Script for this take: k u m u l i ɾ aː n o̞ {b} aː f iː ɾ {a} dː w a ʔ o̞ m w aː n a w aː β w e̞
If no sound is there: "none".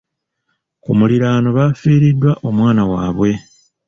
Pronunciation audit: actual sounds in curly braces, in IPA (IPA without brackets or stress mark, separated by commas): β, i